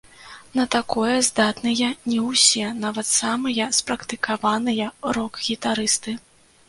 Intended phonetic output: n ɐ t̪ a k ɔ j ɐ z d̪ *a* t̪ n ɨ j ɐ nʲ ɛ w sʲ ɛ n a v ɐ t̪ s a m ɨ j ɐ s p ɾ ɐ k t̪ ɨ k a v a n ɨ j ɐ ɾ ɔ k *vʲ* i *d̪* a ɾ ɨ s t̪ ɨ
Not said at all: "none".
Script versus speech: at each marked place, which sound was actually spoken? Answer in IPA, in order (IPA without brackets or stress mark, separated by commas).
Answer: a, ɣʲ, t̪